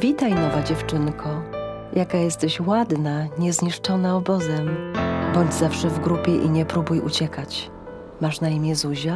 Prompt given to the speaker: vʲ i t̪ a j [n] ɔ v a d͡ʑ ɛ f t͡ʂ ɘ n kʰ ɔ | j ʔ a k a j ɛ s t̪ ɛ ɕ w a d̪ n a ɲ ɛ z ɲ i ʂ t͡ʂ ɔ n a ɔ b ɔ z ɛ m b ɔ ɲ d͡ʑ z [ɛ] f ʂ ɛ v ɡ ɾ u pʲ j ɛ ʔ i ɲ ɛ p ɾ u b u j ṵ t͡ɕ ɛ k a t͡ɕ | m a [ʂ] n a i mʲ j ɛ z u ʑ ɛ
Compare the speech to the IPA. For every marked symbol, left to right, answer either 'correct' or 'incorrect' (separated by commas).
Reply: correct, incorrect, correct